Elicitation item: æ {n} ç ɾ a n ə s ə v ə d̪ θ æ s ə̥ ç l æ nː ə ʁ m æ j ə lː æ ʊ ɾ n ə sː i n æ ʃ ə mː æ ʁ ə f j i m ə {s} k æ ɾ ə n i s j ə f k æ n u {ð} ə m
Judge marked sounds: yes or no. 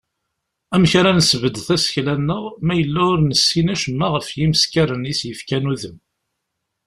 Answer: no, yes, yes

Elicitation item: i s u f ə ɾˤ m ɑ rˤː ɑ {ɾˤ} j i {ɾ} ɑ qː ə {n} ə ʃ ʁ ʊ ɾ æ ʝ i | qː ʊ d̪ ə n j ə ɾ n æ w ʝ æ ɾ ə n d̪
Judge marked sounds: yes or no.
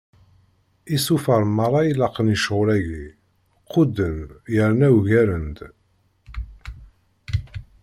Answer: no, no, yes

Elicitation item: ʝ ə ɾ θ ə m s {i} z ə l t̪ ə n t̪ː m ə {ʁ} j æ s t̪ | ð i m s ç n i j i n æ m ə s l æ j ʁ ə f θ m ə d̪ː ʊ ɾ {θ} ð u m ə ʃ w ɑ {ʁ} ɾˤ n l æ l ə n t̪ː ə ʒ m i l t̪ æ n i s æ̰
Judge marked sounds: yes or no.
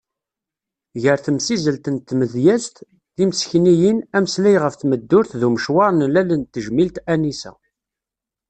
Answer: yes, no, yes, no

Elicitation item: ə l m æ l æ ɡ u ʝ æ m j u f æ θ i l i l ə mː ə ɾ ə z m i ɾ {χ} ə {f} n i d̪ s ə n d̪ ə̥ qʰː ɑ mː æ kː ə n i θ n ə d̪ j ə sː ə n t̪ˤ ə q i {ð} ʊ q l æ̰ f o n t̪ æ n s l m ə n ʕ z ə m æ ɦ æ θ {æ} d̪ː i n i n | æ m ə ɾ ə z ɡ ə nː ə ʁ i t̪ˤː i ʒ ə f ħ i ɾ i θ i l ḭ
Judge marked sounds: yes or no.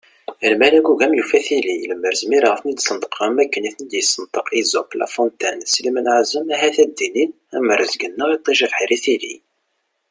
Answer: no, yes, no, yes

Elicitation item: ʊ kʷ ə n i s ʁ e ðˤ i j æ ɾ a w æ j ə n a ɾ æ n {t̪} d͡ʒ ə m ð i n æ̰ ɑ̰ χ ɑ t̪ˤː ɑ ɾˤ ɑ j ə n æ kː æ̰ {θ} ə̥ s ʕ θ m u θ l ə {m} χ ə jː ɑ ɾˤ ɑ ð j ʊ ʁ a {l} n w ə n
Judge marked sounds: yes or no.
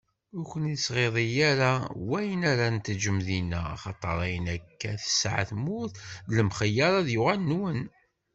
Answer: yes, yes, yes, yes

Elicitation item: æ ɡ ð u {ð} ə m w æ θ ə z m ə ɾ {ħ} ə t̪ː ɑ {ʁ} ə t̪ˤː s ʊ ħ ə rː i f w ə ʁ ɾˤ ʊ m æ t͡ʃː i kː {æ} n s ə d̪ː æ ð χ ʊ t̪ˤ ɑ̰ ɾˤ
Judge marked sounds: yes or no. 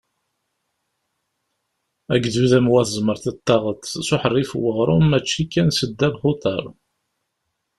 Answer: yes, no, yes, yes

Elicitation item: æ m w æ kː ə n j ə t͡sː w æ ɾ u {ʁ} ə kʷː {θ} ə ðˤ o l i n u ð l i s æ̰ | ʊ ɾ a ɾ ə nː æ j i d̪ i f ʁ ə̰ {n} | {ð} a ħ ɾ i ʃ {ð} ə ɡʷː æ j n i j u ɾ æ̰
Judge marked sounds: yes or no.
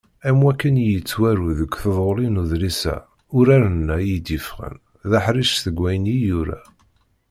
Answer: no, yes, yes, yes, no

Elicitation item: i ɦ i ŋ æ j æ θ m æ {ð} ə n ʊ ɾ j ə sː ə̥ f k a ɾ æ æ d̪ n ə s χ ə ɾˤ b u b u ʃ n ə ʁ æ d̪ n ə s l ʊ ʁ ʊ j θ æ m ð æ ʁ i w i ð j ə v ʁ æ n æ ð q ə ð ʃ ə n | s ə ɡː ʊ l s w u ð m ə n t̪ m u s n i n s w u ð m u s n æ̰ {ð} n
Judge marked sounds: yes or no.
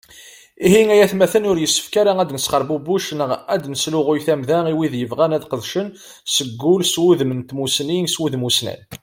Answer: no, no

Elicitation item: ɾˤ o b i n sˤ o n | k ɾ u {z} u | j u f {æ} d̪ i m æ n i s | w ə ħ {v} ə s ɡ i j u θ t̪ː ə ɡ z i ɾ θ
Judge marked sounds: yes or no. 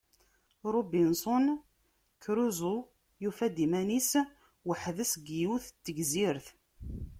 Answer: yes, yes, no

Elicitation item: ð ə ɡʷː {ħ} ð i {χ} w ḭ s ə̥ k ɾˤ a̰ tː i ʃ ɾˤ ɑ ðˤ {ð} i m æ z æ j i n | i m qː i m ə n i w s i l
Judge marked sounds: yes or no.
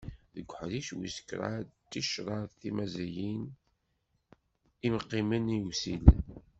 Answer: yes, no, no

